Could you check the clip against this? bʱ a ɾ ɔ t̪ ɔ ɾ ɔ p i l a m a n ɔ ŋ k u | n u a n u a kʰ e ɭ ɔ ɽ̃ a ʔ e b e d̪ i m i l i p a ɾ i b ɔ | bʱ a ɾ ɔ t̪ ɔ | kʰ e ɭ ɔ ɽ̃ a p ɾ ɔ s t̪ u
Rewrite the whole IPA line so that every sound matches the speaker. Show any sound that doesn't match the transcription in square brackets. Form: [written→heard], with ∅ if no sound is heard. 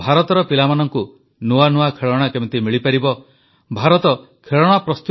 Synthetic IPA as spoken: bʱ a ɾ ɔ t̪ ɔ ɾ ɔ p i l a m a n ɔ ŋ k u | n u a n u a kʰ e ɭ ɔ ɽ̃ a [ʔ→k] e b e [d̪→t̪] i m i [l→ɭ] i p a ɾ i b ɔ | bʱ a ɾ ɔ t̪ ɔ | kʰ e ɭ ɔ ɽ̃ a p ɾ ɔ s t̪ u

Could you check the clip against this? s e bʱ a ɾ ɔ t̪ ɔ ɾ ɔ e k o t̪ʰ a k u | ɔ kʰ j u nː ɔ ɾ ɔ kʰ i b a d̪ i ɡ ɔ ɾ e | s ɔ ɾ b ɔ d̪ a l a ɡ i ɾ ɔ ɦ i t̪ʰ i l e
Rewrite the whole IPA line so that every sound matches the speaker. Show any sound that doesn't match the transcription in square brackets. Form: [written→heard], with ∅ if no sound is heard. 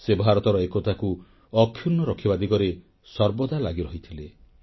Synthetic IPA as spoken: s e bʱ a ɾ ɔ t̪ ɔ ɾ ɔ e k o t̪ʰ a k u | ɔ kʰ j u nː ɔ ɾ ɔ kʰ i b a d̪ i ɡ ɔ ɾ e | s ɔ ɾ b ɔ d̪ a l a ɡ i ɾ ɔ ɦ i t̪ʰ i l e

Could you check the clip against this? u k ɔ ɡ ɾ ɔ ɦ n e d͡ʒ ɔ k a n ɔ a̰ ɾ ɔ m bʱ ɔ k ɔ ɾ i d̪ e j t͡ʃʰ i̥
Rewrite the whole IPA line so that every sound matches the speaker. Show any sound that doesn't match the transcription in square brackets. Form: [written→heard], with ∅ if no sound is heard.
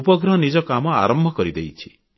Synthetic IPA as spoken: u [k→p] ɔ ɡ ɾ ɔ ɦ n [e→i] d͡ʒ ɔ k a [n→m] ɔ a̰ ɾ ɔ m bʱ ɔ k ɔ ɾ i d̪ e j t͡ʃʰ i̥

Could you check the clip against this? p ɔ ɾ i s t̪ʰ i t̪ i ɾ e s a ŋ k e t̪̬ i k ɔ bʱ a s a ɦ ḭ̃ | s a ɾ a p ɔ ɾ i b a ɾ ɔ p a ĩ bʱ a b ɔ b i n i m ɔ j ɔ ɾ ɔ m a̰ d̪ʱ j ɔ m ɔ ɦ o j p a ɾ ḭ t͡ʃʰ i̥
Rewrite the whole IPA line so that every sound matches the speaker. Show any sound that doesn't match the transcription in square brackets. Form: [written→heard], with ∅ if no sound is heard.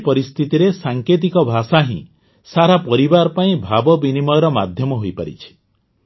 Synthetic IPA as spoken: p ɔ ɾ i s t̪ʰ i t̪ i ɾ e s a ŋ k e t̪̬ i k ɔ bʱ a s a ɦ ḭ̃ | s a ɾ a p ɔ ɾ i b a ɾ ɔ p a ĩ bʱ a b ɔ b i n i m ɔ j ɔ ɾ ɔ m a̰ d̪ʱ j ɔ m ɔ ɦ o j p a ɾ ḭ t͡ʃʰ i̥

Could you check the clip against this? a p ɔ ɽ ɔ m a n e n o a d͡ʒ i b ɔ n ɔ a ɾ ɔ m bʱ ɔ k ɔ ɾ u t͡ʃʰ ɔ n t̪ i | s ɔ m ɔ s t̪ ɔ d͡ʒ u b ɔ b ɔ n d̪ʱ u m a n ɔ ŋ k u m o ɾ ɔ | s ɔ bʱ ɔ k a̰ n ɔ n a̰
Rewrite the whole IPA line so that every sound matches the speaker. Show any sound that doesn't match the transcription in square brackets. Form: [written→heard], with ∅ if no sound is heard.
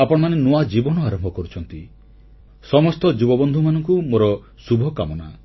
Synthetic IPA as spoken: a p ɔ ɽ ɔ m a n e n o a d͡ʒ i b ɔ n ɔ a ɾ ɔ m bʱ ɔ k ɔ ɾ u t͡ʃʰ ɔ n t̪ i | s ɔ m ɔ s t̪ ɔ d͡ʒ u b ɔ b ɔ n d̪ʱ u m a n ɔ ŋ k u m o ɾ ɔ | s [ɔ→u] bʱ ɔ k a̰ [n→m] ɔ n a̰

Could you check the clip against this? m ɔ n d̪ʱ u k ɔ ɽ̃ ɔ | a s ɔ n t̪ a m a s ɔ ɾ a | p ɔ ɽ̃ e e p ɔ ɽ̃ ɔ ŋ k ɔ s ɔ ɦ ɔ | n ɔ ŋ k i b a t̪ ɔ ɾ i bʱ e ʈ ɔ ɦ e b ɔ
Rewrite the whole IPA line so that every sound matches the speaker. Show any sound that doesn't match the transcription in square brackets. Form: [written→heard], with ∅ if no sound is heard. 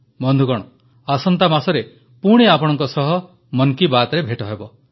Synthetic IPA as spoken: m ɔ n d̪ʱ u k ɔ ɽ̃ ɔ | a s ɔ n t̪ a m a s ɔ ɾ [a→e] | p [ɔ→u] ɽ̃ e [e→a] p ɔ ɽ̃ ɔ ŋ k ɔ s ɔ ɦ ɔ | [n→m] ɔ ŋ k i b a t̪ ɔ ɾ [i→e] bʱ e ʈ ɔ ɦ e b ɔ

